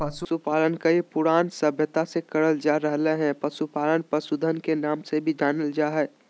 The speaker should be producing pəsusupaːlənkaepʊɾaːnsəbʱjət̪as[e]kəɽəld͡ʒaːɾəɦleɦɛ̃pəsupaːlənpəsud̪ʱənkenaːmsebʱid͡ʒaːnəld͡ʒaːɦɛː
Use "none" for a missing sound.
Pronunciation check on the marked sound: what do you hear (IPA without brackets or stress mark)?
e